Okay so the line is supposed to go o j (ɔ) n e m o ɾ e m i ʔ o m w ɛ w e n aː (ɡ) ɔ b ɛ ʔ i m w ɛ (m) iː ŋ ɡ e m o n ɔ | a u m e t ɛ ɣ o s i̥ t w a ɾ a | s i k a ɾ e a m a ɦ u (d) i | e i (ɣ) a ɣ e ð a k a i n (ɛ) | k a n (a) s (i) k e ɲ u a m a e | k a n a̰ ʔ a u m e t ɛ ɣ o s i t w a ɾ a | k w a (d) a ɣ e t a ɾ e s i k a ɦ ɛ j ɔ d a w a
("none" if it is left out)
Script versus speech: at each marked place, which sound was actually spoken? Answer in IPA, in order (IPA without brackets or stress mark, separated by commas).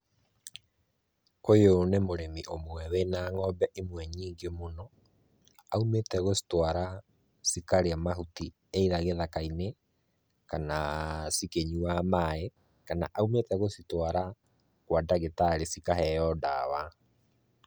o, ŋ, ɲ, t, ð, e, a, i, d